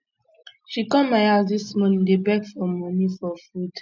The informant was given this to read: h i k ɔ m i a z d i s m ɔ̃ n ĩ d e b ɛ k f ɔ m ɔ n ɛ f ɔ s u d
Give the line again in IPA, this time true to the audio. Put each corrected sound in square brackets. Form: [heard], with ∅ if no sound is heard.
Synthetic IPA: [ʃ] i k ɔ m [a] a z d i s m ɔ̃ n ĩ d e b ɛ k f ɔ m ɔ n [i] f ɔ [f] u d